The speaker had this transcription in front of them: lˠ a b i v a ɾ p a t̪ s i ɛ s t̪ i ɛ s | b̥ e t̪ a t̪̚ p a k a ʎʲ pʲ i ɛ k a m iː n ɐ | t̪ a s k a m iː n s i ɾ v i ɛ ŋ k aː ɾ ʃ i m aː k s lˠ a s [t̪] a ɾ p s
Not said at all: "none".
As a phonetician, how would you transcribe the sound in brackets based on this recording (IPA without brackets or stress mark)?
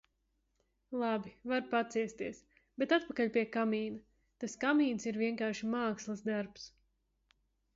d̪